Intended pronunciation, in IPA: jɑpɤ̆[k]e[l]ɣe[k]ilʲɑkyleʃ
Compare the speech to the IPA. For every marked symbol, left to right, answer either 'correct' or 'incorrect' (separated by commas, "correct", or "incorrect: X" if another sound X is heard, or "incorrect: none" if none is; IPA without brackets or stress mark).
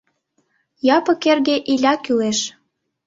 correct, incorrect: r, incorrect: ʔ